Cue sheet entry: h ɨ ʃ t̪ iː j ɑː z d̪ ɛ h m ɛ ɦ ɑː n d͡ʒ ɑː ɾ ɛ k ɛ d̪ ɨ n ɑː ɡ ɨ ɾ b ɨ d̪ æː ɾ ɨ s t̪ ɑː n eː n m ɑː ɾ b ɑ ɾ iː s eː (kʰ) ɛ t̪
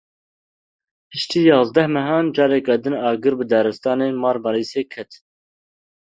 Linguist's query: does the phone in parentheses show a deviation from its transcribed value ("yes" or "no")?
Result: no